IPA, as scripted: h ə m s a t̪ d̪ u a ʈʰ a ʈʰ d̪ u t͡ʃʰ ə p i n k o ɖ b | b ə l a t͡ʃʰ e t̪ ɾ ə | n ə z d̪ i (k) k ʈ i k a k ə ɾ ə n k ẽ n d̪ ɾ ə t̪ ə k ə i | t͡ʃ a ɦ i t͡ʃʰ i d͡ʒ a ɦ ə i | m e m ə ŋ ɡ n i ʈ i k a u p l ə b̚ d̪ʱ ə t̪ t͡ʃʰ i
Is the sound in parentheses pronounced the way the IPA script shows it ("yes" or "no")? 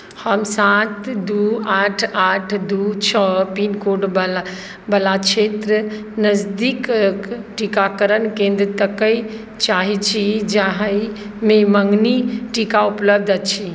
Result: yes